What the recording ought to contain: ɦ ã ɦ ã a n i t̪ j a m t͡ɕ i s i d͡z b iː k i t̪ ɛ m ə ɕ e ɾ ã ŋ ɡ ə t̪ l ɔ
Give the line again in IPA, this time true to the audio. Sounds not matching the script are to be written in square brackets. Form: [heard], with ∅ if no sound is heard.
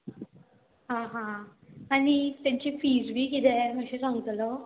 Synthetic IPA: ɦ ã ɦ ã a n i t̪ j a [ɲ] t͡ɕ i [f] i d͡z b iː k i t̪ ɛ m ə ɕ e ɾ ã ŋ ɡ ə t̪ l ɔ